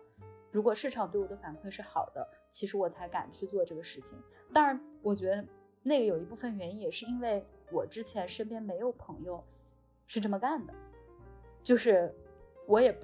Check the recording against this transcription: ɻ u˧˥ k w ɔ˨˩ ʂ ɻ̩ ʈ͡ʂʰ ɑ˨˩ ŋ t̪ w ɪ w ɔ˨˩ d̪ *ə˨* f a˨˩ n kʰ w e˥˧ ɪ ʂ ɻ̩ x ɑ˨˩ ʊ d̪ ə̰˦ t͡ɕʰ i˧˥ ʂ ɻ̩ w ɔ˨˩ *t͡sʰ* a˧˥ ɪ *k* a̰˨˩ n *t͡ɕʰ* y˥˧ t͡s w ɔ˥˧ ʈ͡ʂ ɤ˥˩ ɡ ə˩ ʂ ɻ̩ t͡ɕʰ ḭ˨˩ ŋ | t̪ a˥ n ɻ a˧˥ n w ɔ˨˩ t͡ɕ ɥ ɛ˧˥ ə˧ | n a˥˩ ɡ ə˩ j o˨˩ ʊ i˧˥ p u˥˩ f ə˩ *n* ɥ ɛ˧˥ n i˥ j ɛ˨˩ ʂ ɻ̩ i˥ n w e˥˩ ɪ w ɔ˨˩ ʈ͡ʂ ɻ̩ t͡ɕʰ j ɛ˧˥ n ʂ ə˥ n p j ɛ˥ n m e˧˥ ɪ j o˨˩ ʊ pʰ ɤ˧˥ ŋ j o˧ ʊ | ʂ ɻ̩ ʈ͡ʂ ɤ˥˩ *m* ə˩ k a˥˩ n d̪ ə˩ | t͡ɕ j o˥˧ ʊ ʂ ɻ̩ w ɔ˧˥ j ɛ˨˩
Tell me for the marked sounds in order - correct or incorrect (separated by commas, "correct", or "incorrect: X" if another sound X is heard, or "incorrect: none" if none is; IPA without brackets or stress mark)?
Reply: incorrect: ə˦, correct, correct, correct, correct, correct